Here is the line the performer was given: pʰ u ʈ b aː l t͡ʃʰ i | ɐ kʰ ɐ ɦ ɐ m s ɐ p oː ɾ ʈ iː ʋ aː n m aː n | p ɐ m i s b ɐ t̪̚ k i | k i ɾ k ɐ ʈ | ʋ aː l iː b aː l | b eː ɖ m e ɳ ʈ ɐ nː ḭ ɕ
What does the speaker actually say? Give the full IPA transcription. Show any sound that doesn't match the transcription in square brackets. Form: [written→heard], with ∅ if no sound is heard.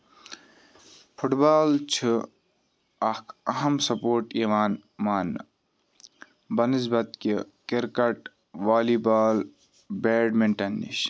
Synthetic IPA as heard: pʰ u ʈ b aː l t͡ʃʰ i | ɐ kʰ ɐ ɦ ɐ m s ɐ p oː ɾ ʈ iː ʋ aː n m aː n | [p→b] ɐ [m→n] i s b ɐ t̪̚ k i | k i ɾ k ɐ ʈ | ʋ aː l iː b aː l | b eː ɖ m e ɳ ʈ ɐ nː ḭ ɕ